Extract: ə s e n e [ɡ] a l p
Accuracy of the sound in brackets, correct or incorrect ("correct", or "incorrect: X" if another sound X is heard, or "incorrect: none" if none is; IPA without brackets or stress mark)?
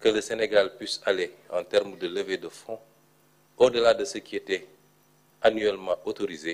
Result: correct